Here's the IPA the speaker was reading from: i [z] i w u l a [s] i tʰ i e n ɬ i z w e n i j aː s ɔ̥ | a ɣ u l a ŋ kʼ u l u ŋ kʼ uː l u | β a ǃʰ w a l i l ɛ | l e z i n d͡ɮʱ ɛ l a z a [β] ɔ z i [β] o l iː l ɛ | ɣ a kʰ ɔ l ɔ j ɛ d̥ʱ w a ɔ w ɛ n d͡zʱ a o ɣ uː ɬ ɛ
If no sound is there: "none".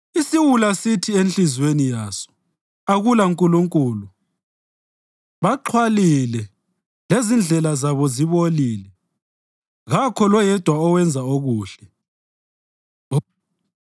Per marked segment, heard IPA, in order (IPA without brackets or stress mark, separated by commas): s, s, β, β